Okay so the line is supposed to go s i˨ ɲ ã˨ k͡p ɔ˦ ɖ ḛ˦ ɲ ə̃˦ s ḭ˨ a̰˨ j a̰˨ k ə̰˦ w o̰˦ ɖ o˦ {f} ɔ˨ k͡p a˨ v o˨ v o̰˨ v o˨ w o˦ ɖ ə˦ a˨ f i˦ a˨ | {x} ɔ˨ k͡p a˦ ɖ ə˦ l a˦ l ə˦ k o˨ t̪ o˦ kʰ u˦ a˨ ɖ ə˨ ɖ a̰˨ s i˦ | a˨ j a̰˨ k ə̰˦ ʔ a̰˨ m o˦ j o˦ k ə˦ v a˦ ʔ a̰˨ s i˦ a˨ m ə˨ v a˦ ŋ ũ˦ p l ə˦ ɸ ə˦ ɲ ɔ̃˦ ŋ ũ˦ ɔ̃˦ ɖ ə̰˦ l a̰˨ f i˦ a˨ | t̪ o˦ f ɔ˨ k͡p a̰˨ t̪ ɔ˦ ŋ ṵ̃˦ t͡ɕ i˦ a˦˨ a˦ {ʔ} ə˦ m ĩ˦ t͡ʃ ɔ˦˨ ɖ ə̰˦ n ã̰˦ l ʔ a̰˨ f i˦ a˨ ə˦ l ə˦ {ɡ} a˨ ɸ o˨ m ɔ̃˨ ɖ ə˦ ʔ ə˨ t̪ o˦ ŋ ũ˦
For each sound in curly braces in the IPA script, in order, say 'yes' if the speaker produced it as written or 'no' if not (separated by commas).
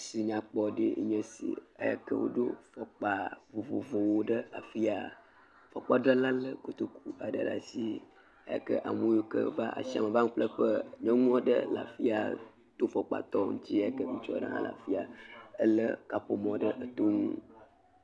yes, no, no, no